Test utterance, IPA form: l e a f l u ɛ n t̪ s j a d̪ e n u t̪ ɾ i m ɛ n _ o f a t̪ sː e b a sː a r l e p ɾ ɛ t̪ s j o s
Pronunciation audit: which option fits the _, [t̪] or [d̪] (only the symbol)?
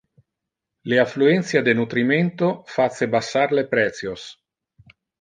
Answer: t̪